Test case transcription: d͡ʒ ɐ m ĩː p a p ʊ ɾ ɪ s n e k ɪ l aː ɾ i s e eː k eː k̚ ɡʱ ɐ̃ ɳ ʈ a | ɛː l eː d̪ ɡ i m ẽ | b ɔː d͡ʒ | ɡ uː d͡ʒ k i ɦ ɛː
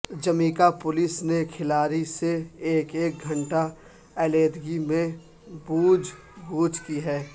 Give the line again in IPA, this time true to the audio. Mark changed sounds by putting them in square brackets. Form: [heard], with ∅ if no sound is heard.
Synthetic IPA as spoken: d͡ʒ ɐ m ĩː [k] a p ʊ [l] ɪ s n e [kʰ] ɪ l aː ɾ i s e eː k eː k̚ ɡʱ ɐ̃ ɳ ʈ a | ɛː l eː d̪ ɡ i m ẽ | b [uː] d͡ʒ | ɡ uː d͡ʒ k i ɦ ɛː